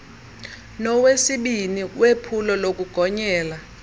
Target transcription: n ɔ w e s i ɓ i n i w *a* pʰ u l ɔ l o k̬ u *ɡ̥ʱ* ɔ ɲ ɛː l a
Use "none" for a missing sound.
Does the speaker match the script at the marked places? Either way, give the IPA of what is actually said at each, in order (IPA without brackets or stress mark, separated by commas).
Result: e, ɡ̥ʱ